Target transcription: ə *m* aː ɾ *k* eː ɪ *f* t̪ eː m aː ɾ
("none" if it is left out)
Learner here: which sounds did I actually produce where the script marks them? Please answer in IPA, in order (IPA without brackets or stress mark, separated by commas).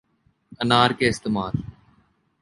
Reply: n, k, s